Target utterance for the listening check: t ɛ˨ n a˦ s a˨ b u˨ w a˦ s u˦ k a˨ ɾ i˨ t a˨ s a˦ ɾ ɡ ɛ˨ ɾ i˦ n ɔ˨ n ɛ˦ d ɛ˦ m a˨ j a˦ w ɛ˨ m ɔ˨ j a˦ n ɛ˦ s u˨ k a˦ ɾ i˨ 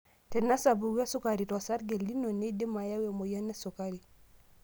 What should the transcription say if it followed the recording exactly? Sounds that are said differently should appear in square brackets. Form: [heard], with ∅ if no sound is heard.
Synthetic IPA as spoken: t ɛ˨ n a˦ s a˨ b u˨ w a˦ s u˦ k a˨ ɾ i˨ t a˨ s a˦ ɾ ɡ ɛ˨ [l] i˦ n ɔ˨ n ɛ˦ d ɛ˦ m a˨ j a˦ w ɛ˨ m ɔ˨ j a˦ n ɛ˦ s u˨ k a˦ ɾ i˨